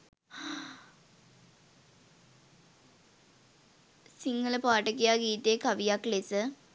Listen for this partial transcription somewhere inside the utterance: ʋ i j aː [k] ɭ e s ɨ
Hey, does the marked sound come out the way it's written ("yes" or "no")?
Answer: yes